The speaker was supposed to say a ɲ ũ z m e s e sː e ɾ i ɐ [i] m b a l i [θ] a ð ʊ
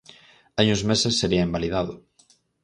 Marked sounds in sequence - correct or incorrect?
incorrect: e, incorrect: ð

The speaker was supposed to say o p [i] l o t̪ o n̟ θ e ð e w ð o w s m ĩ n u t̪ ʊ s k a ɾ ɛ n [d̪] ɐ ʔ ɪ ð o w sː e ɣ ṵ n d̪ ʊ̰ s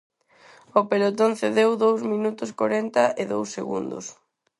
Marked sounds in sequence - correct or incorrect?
incorrect: e, incorrect: t̪

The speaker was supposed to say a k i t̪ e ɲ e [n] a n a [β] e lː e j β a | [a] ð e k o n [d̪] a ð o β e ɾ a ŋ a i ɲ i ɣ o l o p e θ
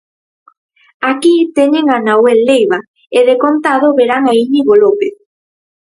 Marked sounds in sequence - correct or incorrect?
incorrect: ŋ, incorrect: w, incorrect: e, incorrect: t̪

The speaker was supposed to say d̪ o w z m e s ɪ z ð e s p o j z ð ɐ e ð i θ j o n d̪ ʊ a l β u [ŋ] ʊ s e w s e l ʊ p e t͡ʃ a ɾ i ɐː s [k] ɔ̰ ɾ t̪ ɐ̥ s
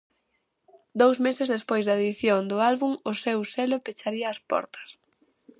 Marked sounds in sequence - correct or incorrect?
correct, incorrect: p

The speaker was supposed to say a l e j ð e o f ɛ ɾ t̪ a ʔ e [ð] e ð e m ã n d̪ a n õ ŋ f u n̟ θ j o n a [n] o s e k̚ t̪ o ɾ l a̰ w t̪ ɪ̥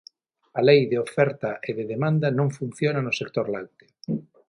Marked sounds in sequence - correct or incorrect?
correct, correct

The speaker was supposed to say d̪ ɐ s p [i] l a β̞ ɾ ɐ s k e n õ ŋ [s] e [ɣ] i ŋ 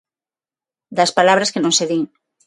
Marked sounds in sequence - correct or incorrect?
incorrect: a, correct, incorrect: ð

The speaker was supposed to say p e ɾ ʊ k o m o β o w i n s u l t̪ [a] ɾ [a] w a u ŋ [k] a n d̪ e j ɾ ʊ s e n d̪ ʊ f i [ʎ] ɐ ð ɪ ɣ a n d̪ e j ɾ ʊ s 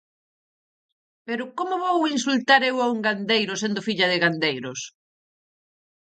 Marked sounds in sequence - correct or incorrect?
correct, incorrect: e, incorrect: ɡ, correct

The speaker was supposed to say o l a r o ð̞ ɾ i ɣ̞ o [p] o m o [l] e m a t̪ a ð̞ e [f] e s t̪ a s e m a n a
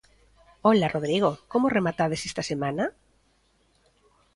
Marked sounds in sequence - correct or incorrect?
incorrect: k, incorrect: r, incorrect: s

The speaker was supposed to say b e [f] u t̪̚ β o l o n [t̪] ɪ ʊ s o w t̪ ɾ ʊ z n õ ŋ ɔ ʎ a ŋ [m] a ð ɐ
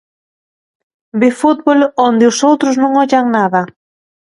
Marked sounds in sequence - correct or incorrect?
correct, incorrect: d̪, incorrect: n

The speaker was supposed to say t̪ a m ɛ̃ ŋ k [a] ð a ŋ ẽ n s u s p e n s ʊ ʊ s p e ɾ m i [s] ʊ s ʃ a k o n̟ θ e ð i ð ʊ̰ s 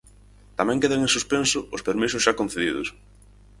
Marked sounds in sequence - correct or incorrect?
incorrect: e, correct

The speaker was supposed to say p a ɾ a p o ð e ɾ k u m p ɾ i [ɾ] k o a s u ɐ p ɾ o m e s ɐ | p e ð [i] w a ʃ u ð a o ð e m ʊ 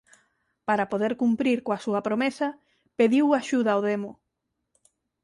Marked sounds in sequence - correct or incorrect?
correct, correct

